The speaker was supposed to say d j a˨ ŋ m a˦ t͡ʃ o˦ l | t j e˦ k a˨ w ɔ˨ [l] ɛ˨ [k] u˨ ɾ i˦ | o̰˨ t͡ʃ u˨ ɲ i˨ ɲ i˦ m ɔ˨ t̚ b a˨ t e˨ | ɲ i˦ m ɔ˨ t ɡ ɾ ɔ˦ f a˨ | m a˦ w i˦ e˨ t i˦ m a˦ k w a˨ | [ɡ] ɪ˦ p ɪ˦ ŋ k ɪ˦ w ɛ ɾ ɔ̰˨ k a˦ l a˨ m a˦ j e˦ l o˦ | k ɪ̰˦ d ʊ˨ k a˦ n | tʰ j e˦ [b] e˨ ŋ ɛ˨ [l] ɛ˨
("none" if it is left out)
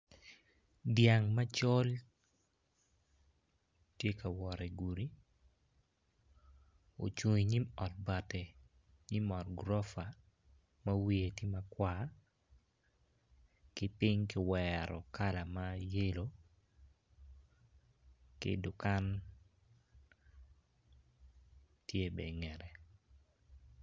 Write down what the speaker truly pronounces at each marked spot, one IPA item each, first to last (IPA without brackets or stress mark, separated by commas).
ɾ, ɡ, k, b, ɾ